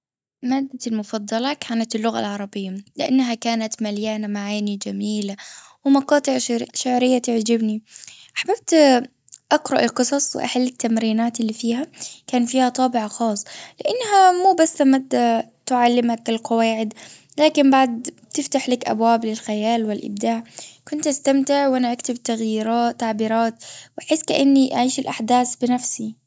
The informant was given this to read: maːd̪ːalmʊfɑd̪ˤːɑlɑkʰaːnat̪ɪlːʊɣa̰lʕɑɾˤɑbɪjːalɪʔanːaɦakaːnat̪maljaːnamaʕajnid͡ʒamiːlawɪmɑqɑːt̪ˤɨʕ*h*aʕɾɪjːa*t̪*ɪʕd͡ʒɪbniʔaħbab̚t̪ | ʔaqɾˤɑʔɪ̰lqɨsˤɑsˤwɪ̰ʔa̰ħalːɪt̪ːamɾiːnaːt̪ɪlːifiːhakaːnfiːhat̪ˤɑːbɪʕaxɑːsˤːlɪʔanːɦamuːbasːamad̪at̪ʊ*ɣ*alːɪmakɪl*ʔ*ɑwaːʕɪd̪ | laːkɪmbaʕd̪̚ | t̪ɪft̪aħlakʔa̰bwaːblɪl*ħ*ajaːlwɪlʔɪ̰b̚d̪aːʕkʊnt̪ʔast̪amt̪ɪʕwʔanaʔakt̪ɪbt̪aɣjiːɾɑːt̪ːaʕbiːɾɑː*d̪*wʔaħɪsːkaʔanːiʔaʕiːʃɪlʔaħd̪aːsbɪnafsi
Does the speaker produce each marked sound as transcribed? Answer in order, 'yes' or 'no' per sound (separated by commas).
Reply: no, yes, no, no, no, no